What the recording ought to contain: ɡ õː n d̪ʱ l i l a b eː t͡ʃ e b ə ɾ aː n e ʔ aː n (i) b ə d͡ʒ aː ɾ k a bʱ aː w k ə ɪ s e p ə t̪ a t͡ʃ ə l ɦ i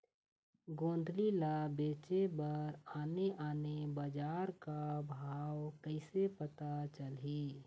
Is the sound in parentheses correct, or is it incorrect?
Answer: incorrect